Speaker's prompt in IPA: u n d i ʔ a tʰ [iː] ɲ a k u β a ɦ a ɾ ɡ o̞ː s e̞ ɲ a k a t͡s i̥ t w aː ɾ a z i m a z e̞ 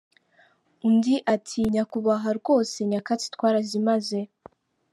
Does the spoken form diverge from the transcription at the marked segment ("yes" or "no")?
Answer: yes